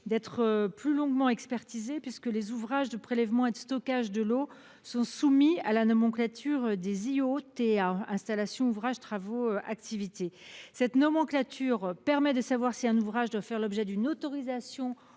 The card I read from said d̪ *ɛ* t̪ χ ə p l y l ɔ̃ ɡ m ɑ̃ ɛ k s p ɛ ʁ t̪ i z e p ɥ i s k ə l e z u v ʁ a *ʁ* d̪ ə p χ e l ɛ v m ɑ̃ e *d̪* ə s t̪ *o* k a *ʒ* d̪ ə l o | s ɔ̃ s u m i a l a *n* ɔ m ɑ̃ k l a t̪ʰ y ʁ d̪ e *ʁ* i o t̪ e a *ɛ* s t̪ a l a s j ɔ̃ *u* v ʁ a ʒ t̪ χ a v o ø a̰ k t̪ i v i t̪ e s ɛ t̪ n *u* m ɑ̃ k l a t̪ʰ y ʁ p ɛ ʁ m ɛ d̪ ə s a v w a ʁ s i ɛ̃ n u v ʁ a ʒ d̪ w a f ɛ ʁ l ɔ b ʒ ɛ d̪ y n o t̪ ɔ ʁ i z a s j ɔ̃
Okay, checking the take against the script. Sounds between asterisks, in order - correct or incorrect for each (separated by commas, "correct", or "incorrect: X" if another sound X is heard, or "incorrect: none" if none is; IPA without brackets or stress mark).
correct, incorrect: ʒ, correct, incorrect: ɔ, correct, correct, incorrect: z, incorrect: ɛ̃, correct, incorrect: ɔ